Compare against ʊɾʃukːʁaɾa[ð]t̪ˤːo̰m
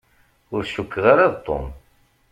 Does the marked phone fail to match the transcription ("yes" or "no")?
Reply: no